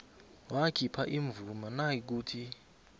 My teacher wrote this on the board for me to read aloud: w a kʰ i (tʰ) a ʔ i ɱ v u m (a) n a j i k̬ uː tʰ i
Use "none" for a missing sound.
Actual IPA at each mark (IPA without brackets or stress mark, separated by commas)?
pʰ, a